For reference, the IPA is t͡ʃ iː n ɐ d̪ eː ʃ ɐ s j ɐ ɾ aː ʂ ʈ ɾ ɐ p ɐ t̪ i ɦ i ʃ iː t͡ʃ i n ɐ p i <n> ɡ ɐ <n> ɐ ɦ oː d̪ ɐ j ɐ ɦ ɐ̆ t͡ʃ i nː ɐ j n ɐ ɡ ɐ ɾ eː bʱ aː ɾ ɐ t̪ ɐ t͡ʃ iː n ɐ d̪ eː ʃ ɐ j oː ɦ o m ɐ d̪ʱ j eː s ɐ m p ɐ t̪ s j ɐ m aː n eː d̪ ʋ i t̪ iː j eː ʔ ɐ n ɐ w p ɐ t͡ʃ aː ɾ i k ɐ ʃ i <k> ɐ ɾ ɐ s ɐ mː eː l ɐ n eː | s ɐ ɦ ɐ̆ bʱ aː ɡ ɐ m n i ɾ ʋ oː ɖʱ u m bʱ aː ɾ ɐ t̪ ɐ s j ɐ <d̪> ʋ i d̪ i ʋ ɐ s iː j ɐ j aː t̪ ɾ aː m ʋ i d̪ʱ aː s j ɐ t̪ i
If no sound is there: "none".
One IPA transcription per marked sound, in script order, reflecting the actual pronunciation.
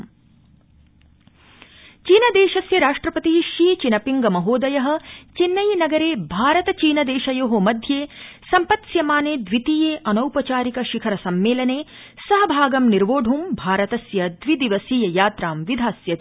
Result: ŋ, m, kʰ, d̪

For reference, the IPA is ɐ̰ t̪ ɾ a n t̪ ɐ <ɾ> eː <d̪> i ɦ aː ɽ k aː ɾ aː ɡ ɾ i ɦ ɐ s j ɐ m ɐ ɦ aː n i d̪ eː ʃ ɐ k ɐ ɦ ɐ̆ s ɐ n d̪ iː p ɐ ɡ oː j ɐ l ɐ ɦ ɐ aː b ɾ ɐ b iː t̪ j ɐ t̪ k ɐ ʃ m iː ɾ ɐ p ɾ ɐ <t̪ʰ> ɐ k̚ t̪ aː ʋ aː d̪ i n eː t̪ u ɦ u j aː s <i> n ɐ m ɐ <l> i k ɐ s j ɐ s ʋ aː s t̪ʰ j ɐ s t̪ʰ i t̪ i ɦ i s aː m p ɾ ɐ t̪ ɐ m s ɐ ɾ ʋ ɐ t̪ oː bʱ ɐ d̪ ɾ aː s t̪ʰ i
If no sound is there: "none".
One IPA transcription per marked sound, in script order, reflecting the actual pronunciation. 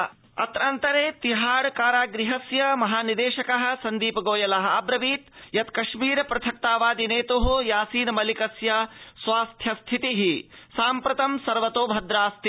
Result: ɾ, t̪, t̪ʰ, iː, l

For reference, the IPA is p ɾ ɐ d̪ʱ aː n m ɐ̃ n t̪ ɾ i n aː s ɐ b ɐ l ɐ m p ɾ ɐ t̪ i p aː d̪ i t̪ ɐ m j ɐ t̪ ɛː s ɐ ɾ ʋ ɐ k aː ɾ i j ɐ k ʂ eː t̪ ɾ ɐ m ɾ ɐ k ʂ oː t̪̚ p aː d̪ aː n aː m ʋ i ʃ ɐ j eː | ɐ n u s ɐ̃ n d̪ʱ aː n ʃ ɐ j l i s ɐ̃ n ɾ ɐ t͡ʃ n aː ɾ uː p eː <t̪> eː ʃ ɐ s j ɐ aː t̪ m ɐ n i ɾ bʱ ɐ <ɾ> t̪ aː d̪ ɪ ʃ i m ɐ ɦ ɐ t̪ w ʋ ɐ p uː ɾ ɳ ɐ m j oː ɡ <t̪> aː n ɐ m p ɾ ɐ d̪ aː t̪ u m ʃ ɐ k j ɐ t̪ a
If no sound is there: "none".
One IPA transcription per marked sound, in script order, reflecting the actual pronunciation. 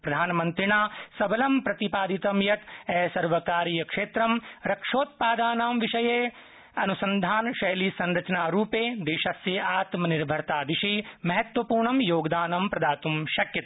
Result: d̪, ɾ, d̪

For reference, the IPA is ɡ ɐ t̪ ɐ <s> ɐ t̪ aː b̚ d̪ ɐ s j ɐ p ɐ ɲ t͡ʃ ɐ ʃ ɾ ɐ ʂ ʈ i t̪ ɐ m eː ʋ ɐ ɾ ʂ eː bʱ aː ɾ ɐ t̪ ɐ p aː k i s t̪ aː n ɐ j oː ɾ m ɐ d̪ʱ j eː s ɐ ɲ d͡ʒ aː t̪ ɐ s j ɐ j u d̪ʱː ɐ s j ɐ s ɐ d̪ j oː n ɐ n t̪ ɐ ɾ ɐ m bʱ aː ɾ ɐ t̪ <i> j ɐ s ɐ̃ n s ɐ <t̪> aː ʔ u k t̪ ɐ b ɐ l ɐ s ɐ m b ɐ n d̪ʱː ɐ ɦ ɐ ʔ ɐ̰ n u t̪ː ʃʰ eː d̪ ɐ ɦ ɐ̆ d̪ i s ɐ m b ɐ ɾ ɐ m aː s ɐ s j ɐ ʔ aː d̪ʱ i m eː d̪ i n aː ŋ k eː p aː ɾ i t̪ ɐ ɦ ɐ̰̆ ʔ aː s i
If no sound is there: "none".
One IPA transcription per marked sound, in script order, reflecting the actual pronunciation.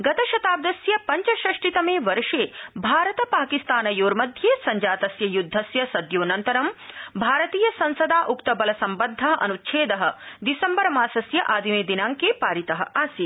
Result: ʃ, iː, d̪

